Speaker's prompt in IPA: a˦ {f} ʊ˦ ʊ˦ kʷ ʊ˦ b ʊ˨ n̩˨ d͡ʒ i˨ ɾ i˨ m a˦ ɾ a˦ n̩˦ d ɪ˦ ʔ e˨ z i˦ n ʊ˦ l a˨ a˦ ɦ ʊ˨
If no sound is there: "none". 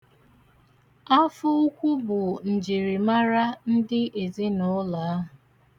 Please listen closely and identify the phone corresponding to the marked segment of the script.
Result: f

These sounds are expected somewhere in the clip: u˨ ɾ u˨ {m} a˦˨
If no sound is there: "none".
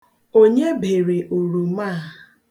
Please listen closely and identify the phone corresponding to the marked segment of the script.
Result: m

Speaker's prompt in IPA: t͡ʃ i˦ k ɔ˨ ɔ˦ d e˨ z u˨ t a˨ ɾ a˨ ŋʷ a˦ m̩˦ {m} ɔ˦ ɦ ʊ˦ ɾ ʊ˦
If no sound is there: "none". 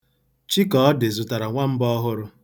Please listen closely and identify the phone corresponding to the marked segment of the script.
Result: b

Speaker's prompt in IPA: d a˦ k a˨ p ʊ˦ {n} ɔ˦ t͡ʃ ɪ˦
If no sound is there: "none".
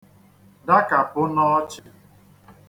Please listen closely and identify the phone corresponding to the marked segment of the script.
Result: n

